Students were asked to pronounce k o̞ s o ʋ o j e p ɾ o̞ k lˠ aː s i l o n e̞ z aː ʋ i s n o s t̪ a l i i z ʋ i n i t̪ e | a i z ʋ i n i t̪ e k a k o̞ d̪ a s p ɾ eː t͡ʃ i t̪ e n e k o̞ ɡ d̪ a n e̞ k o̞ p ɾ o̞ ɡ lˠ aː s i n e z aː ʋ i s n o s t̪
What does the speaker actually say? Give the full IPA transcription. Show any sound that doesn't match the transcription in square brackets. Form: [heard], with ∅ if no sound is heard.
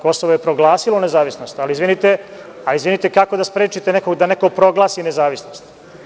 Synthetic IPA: k o̞ s o ʋ o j e p ɾ o̞ [ɡ] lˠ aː s i l o n e̞ z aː ʋ i s n o s t̪ a l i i z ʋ i n i t̪ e | a i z ʋ i n i t̪ e k a k o̞ d̪ a s p ɾ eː t͡ʃ i t̪ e n e k o̞ ɡ d̪ a n e̞ k o̞ p ɾ o̞ ɡ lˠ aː s i n e z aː ʋ i s n o s t̪